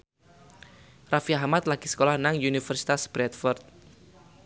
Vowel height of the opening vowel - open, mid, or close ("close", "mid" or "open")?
open